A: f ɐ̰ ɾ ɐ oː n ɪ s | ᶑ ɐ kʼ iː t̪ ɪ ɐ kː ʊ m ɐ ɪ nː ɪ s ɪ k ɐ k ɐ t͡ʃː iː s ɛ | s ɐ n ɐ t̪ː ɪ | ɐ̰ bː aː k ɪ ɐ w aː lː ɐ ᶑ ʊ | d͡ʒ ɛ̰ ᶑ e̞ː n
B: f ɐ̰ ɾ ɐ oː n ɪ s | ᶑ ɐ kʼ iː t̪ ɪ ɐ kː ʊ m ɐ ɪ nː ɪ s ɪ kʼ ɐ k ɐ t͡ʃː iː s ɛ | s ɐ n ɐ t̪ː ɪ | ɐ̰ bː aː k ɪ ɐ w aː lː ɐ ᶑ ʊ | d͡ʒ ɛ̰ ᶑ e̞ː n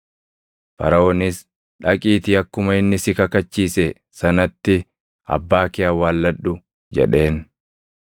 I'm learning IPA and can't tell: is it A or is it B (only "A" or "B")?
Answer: A